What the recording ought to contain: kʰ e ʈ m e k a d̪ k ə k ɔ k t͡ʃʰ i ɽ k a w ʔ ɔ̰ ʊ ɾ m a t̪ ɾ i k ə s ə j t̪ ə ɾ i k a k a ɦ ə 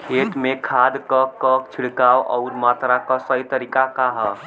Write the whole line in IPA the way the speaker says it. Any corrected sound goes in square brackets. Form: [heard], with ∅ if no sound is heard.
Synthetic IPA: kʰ e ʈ m e [kʰ] a d̪ k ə k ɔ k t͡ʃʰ i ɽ k a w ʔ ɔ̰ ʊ ɾ m a t̪ ɾ [a] k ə s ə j t̪ ə ɾ i k a k a ɦ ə

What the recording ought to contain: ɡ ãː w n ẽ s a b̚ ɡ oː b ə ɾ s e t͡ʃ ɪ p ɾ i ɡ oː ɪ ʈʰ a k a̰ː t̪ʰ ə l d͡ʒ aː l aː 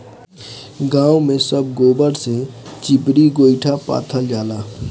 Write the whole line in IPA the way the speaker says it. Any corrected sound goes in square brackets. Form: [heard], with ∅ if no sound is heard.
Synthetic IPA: ɡ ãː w [m] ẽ s [ə] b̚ ɡ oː b ə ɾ s e t͡ʃ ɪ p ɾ i ɡ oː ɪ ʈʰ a [p] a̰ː t̪ʰ ə l d͡ʒ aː l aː

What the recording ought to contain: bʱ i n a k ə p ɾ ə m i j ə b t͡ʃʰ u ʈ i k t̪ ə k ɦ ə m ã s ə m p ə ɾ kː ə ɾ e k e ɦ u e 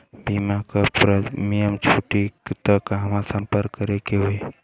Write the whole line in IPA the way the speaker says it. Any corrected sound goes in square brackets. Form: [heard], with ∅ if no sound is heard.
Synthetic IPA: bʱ i [m] a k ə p ɾ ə m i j ə [m] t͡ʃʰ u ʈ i k t̪ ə k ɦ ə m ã s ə m p ə ɾ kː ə ɾ e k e ɦ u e

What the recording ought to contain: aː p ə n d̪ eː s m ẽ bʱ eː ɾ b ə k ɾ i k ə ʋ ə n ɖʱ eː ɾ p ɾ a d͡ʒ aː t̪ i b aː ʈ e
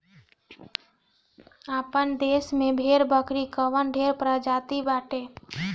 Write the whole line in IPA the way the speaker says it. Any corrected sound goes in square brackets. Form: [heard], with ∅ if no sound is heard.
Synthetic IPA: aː p ə n d̪ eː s m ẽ bʱ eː ɾ b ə k ɾ i k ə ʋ ə n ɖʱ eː ɾ p ɾ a d͡ʒ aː t̪ i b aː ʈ e

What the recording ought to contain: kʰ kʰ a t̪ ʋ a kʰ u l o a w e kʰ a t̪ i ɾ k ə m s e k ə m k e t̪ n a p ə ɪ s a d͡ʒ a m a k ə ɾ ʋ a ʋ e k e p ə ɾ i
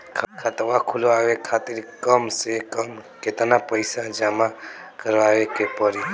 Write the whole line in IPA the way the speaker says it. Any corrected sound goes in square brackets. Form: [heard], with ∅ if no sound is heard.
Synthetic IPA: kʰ kʰ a t̪ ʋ a kʰ u l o a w e kʰ a t̪ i ɾ k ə m s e k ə m k e t̪ n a p ə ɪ s a d͡ʒ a m a k ə ɾ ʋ a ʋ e k e p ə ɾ i

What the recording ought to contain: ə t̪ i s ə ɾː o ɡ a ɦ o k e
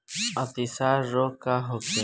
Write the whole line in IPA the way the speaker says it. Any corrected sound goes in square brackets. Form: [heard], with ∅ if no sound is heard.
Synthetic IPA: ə t̪ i s [a] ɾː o [k] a ɦ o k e

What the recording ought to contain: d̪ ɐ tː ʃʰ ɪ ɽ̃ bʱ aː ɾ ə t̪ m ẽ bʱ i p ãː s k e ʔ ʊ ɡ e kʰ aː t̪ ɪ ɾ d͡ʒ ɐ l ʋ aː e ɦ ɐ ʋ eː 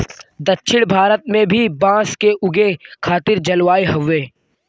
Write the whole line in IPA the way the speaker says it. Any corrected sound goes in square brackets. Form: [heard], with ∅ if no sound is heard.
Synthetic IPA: d̪ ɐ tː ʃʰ ɪ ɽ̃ bʱ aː ɾ ə t̪ m ẽ bʱ i [b] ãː s k e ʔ ʊ ɡ e kʰ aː t̪ ɪ ɾ d͡ʒ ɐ l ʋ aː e ɦ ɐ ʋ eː

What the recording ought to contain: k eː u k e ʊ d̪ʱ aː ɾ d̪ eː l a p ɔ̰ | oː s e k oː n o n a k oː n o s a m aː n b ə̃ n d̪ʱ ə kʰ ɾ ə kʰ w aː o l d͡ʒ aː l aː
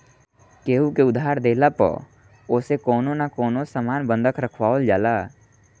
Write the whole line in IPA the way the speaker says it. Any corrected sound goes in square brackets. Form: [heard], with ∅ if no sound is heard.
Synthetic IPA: k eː u k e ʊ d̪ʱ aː ɾ d̪ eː l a p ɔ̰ | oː s e k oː n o n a k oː n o s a m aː n b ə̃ n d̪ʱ ə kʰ ɾ ə kʰ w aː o l d͡ʒ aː l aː

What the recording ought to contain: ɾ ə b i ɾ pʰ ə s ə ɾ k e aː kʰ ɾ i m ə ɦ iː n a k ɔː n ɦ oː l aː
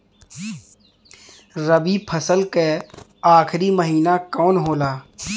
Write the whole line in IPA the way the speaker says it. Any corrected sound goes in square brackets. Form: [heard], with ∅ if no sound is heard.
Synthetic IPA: ɾ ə b i [∅] pʰ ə s ə [l] k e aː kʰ ɾ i m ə ɦ iː n a k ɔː n ɦ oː l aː

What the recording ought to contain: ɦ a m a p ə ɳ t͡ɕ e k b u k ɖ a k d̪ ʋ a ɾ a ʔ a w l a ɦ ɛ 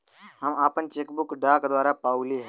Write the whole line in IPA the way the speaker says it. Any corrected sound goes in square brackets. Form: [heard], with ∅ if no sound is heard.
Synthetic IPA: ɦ a m a p ə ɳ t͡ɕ e k b u k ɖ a k d̪ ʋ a ɾ a [p] a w l [i] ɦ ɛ

